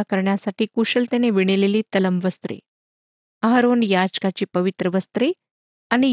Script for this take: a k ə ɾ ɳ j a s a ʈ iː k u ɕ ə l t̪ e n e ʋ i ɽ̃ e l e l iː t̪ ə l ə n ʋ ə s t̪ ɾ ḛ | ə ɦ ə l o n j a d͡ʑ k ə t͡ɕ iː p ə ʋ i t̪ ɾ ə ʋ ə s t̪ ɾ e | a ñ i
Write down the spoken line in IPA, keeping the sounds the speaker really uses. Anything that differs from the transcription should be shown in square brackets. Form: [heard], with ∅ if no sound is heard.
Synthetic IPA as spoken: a k ə ɾ ɳ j a s a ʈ iː k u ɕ ə l t̪ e n e ʋ i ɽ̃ e l e l iː t̪ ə l ə [m] ʋ ə s t̪ ɾ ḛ | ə ɦ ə [ɾ] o n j a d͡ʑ k [a] t͡ɕ iː p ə ʋ i t̪ ɾ ə ʋ ə s t̪ ɾ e | a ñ i